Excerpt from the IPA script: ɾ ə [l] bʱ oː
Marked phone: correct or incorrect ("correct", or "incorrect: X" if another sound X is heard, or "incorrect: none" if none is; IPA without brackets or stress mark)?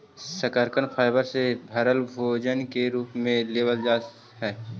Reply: correct